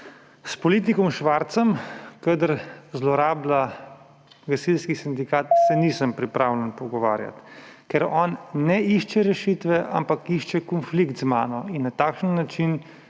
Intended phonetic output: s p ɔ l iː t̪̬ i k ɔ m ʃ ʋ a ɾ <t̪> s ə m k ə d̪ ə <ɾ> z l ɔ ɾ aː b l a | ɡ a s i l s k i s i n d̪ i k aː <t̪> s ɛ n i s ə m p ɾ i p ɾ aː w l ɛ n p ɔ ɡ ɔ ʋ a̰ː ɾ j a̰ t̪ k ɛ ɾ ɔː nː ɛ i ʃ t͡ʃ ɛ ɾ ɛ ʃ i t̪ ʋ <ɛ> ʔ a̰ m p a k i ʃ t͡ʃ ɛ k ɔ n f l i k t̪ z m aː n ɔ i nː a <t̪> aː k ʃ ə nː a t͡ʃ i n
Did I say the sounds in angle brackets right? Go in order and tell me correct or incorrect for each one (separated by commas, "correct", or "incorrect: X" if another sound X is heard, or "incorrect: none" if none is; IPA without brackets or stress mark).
correct, correct, correct, correct, correct